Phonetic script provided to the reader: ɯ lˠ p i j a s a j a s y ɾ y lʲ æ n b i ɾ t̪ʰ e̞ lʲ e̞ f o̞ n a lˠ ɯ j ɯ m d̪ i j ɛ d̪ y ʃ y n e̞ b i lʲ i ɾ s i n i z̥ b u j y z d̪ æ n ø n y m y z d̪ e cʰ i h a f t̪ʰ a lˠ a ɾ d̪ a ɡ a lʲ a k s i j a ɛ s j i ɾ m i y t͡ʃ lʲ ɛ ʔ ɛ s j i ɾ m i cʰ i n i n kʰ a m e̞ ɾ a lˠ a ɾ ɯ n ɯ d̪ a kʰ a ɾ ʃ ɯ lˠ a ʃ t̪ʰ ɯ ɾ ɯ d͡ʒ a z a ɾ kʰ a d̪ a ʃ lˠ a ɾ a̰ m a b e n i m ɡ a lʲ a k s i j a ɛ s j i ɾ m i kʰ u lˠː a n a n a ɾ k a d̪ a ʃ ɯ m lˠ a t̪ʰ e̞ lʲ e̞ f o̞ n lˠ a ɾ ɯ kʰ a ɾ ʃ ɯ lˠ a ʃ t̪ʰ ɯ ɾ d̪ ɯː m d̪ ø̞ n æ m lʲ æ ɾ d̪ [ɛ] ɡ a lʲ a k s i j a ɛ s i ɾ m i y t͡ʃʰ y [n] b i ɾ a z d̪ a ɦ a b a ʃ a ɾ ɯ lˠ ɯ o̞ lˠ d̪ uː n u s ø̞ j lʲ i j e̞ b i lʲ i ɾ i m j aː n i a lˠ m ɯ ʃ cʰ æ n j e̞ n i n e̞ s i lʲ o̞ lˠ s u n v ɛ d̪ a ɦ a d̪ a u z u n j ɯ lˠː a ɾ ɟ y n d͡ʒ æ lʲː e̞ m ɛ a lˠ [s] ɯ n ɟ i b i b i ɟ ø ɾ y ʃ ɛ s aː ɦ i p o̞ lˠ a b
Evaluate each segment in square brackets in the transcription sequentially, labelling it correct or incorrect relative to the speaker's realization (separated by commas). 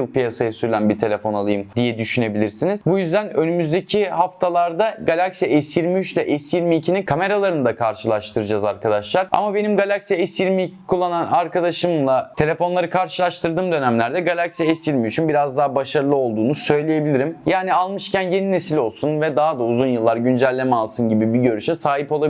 correct, correct, correct